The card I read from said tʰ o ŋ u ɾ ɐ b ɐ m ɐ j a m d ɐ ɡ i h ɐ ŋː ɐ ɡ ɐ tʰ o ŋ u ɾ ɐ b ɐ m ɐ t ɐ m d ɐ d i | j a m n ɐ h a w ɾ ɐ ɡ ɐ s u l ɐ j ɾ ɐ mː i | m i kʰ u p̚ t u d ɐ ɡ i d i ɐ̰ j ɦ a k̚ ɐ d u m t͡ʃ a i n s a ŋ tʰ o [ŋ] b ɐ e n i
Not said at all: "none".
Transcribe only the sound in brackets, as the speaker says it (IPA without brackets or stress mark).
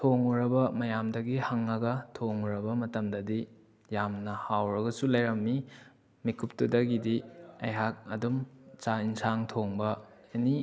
ŋ